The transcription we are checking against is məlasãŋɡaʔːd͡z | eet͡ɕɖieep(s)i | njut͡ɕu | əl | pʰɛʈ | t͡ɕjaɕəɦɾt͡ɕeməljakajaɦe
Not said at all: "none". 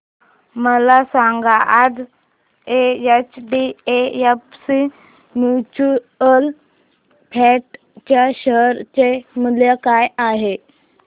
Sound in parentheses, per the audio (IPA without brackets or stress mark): s